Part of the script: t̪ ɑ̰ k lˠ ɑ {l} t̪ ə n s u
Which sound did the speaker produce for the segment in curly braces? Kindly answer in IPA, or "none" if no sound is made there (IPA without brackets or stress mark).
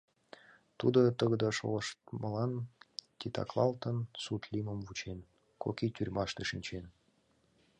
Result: l